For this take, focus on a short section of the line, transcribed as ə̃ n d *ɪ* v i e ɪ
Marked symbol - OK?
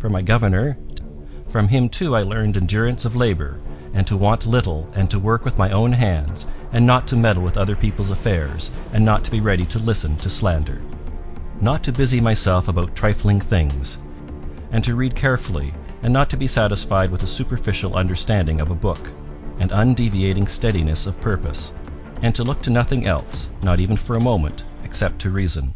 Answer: no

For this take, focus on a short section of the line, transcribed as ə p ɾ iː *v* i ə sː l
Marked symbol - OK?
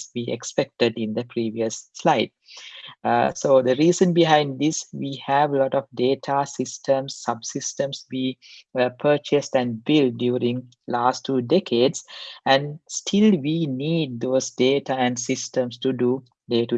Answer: no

